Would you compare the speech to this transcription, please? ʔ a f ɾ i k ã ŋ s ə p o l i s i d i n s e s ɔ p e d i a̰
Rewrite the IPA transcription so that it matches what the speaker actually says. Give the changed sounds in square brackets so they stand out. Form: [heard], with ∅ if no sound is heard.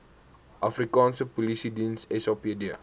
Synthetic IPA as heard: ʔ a f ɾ i k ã [n] s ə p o l i s i d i n s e s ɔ p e d i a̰